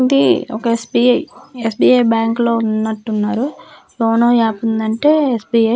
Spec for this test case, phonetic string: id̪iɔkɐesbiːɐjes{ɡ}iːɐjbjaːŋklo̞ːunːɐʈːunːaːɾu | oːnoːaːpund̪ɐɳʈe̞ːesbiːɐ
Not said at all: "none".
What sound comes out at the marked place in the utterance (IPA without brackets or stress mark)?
b